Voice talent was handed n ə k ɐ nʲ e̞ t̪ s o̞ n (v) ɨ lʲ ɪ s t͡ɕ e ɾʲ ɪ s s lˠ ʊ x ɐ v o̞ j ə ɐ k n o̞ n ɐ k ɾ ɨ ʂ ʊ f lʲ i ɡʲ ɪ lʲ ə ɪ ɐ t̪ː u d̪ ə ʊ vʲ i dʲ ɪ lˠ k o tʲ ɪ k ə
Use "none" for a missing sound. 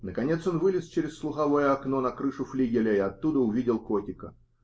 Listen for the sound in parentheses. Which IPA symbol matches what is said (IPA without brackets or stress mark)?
v